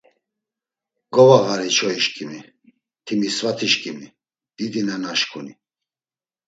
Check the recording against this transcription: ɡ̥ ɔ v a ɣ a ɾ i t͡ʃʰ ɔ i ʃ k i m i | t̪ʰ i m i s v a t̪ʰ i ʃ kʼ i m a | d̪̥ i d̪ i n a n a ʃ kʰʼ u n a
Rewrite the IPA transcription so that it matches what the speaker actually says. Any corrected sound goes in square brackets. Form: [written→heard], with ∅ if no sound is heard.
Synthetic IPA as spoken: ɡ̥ ɔ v a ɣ a ɾ i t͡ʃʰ ɔ i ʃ [k→kʼ] i m i | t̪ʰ i m i s v a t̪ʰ i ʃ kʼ i m [a→i] | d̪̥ i d̪ i n a n a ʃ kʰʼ u n [a→i]